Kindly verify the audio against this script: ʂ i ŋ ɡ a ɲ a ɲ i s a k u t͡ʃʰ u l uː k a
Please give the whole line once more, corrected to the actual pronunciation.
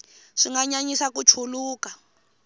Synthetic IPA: ʂ i ŋ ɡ a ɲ a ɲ i s a k u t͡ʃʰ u l uː k a